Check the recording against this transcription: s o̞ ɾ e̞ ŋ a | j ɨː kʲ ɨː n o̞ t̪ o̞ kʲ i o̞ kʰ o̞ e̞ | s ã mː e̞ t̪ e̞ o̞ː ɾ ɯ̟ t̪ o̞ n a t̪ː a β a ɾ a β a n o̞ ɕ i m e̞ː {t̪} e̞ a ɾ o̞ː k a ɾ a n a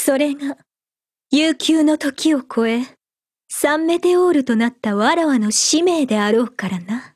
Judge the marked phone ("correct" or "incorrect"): incorrect